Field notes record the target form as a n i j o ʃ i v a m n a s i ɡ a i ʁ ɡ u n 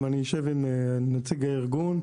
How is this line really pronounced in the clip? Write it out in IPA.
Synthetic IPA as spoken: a n i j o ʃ e v i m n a t͡s i ɡ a i ʁ ɡ u n